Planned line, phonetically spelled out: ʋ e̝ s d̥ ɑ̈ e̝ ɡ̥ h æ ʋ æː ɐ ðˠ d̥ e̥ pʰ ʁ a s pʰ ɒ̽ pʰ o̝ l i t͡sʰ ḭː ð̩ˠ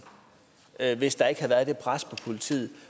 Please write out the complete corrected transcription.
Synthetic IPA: ʋ e̝ s d̥ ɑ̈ e̝ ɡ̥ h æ ʋ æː ɐ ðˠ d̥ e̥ pʰ ʁ a s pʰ ɒ̽ pʰ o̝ l i t͡sʰ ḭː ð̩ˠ

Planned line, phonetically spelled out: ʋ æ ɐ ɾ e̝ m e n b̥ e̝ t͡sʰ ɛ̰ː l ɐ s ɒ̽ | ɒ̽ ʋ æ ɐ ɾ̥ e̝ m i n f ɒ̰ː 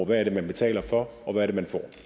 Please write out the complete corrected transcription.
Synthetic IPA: ʋ æ ɐ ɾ e̝ m æ n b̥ e̝ t͡sʰ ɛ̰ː l ɐ f ɒ̽ | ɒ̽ ʋ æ ɐ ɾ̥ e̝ m æ n f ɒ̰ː

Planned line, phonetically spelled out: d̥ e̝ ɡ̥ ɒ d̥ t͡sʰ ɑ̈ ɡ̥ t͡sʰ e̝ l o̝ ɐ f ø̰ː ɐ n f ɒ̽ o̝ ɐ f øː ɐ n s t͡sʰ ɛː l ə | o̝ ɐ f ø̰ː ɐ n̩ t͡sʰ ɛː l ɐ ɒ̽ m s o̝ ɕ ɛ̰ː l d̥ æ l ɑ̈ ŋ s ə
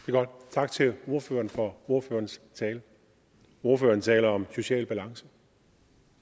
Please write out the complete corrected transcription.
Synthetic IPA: d̥ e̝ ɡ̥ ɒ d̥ t͡sʰ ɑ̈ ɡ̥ t͡sʰ e̝ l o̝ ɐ f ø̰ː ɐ n f ɒ̽ o̝ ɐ f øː ɐ n s t͡sʰ ɛː l ə | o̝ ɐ f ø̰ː ɐ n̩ t͡sʰ ɛː l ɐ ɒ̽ m s o̝ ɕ ɛ̰ː l b̥ æ l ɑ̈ ŋ s ə

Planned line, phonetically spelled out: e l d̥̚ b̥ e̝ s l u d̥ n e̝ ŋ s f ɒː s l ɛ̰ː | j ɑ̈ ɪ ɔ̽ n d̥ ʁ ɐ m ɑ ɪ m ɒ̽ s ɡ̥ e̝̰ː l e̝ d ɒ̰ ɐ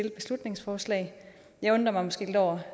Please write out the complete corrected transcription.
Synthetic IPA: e l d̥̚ b̥ e̝ s l u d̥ n e̝ ŋ s f ɒː s l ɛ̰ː | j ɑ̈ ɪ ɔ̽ n d̥ ʁ ɐ m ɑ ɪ m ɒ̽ s ɡ̥ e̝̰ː l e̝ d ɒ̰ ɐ

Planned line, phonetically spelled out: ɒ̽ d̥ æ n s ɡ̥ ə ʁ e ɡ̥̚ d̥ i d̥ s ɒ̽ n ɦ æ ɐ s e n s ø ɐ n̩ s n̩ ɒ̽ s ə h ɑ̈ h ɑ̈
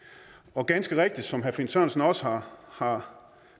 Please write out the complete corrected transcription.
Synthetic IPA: ɒ̽ ɡ̥ æ n s ɡ̥ ə ʁ e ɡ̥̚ d̥ i d̥ s ɒ̽ m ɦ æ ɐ f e n s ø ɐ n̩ s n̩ ɒ̽ s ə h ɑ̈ h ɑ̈

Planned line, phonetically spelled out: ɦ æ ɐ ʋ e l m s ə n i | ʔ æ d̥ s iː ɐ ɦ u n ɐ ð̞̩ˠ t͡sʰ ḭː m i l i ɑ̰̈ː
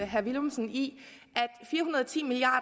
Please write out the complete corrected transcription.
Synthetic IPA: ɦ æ ɐ ʋ i l m s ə n i | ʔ æ d̥ f iː ɐ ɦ u n ɐ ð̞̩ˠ t͡sʰ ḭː m i l i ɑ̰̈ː

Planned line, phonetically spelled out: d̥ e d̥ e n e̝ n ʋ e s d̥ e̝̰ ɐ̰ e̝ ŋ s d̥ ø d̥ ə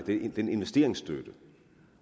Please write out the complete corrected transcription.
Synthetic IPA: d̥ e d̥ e n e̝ n ʋ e s d̥ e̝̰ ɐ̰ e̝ ŋ s d̥ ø d̥ ə

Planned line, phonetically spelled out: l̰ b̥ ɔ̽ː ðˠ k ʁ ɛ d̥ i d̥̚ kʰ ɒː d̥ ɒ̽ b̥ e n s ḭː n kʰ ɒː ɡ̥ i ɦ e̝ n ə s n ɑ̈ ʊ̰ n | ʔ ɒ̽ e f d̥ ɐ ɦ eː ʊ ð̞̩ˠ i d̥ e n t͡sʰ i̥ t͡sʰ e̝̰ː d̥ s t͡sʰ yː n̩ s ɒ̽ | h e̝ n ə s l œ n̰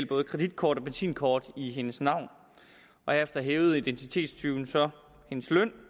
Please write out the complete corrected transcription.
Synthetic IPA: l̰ b̥ ɔ̽ː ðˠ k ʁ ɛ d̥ i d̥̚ kʰ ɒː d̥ ɒ̽ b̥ e n s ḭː n kʰ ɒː d̥ i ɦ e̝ n ə s n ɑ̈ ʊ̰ n | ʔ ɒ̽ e f d̥ ɐ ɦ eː ʊ ð̞̩ˠ i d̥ e n t͡sʰ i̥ t͡sʰ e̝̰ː d̥ s t͡sʰ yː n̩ s ɒ̽ | h e̝ n ə s l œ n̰

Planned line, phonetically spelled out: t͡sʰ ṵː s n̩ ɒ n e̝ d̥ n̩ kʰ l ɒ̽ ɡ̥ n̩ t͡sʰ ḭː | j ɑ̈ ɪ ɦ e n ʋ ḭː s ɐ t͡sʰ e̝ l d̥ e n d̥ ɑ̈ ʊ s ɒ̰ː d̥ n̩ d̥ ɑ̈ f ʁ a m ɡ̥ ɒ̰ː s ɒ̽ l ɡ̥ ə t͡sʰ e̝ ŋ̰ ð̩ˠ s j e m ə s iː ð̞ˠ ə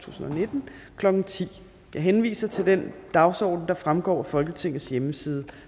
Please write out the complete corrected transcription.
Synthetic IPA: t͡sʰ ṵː s n̩ ɒ n e̝ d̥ n̩ kʰ l ɒ̽ ɡ̥ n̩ t͡sʰ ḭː | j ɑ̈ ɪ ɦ e n ʋ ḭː s ɐ t͡sʰ e̝ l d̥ e n d̥ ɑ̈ ʊ s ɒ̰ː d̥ n̩ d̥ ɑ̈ f ʁ a m ɡ̥ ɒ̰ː f ɒ̽ l ɡ̥ ə t͡sʰ e̝ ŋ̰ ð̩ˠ s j e m ə s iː ð̞ˠ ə

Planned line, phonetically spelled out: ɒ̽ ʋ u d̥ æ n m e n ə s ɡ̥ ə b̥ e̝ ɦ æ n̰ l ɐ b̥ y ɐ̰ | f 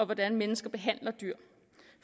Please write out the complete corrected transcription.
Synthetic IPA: ɒ̽ ʋ ɒ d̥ æ n m e n ə s ɡ̥ ɐ b̥ e̝ ɦ æ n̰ l ɐ d̥ y ɐ̰ | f

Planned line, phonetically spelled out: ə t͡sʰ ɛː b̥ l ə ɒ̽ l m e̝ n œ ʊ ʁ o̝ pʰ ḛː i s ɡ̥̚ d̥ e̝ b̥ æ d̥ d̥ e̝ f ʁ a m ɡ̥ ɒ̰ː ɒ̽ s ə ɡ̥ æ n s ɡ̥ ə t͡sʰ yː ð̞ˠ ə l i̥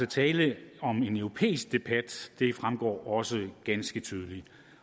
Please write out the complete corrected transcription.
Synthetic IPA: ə t͡sʰ ɛː l ə ɒ̽ m e̝ n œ ʊ ʁ o̝ pʰ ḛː i s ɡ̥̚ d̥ e̝ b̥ æ d̥ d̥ e̝ f ʁ a m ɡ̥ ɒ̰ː ɒ̽ s ə ɡ̥ æ n s ɡ̥ ə t͡sʰ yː ð̞ˠ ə l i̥

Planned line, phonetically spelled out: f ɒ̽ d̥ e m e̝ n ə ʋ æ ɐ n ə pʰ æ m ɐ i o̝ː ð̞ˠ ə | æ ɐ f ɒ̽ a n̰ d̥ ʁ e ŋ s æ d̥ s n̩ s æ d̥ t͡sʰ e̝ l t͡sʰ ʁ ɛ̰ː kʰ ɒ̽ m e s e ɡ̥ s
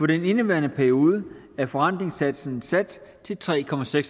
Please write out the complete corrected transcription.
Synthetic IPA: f ɒ̽ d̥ e n e̝ n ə ʋ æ ɐ n ə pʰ æ ɐ i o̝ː ð̞ˠ ə | æ ɐ f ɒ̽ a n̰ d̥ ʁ e ŋ s æ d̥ s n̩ s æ d̥ t͡sʰ e̝ l t͡sʰ ʁ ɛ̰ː kʰ ɒ̽ m æ s e ɡ̥ s

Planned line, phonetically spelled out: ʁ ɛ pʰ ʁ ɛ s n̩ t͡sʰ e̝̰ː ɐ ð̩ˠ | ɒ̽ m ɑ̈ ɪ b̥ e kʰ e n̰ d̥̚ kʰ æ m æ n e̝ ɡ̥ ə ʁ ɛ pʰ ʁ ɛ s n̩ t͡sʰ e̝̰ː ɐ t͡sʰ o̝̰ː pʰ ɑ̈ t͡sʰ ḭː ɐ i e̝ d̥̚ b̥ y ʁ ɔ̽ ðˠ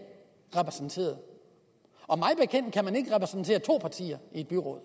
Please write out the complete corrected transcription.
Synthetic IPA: ʁ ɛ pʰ ʁ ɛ s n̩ t͡sʰ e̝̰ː ɐ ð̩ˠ | ɒ̽ m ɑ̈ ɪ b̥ e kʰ e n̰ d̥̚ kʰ æ m æ n e̝ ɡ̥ ə ʁ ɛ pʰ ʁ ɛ s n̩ t͡sʰ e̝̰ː ɐ t͡sʰ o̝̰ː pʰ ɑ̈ t͡sʰ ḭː ɐ i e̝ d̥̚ b̥ y ʁ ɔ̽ ðˠ

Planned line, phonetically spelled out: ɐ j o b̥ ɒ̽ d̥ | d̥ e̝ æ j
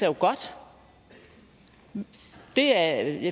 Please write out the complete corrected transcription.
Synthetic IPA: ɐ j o ɡ̥ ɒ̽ d̥ | d̥ e̝ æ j

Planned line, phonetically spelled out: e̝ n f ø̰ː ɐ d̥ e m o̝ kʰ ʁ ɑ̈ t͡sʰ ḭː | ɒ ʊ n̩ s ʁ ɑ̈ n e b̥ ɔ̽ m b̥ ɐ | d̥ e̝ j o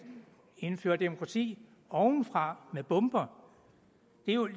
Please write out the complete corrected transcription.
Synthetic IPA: e̝ n f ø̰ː ɐ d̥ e m o̝ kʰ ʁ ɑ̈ t͡sʰ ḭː | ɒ ʊ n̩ f ʁ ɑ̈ m e b̥ ɔ̽ m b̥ ɐ | d̥ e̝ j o

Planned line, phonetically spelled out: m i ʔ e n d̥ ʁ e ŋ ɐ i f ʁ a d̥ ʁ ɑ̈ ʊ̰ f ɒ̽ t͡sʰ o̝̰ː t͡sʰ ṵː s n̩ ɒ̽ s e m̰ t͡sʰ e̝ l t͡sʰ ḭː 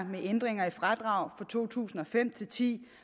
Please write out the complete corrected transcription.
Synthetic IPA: m e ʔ e n d̥ ʁ e ŋ ɐ i f ʁ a d̥ ʁ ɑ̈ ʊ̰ f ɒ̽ t͡sʰ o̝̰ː t͡sʰ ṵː s n̩ ɒ̽ f e m̰ t͡sʰ e̝ l t͡sʰ ḭː

